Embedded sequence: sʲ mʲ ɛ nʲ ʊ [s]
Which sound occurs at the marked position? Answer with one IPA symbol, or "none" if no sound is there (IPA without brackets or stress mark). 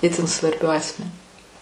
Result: none